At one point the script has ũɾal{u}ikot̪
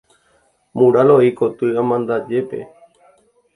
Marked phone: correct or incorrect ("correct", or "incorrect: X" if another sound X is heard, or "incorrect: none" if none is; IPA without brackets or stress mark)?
incorrect: o